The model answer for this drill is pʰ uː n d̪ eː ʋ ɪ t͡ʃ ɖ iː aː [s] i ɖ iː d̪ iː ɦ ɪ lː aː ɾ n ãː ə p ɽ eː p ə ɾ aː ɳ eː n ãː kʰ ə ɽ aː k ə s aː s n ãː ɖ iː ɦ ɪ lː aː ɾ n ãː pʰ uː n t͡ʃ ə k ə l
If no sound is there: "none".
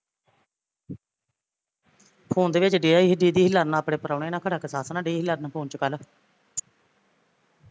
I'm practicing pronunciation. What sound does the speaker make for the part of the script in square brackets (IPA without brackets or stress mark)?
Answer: none